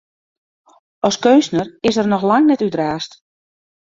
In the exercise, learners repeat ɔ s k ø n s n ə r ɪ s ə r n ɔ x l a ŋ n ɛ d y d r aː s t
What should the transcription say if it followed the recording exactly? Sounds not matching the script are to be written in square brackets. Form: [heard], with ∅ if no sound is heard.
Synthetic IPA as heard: ɔ s k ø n s n ə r ɪ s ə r n ɔ x l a ŋ n ɛ [t] y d r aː s t